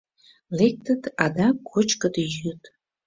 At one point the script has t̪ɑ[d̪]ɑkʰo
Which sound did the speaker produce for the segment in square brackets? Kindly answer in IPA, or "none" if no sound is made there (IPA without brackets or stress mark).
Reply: d̪